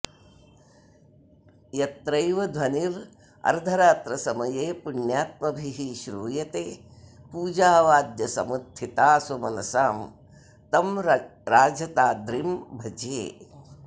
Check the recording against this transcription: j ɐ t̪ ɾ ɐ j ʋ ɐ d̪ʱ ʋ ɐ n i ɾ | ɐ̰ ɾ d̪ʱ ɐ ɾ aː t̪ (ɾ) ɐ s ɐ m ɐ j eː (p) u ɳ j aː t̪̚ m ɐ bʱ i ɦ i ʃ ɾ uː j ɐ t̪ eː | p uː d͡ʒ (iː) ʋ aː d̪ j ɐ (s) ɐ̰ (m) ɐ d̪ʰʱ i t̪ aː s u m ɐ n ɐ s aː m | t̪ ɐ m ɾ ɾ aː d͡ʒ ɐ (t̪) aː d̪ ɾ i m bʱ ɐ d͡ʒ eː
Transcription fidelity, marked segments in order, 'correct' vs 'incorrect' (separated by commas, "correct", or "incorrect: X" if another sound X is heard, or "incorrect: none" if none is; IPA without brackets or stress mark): correct, correct, incorrect: aː, correct, correct, correct